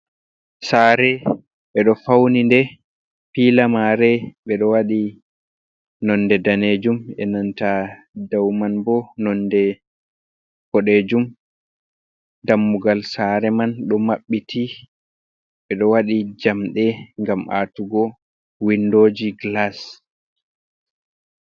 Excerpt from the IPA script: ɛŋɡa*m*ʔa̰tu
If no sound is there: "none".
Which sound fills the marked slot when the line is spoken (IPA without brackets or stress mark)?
m